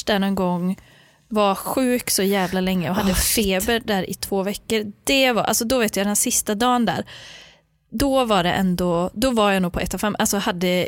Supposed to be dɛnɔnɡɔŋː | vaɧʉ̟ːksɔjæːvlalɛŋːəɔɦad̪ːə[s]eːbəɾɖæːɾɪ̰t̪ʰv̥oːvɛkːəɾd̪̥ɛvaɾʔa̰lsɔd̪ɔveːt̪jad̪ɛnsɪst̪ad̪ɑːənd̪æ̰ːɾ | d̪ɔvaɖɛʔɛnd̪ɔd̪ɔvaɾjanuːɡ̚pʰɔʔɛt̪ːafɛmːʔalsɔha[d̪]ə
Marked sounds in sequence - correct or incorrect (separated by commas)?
incorrect, incorrect